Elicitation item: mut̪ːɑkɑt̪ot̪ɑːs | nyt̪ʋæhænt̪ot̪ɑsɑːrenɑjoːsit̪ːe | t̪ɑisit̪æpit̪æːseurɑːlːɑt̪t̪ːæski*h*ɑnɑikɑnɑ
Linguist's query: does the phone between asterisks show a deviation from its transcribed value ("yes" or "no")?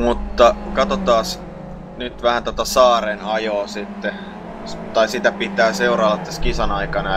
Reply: yes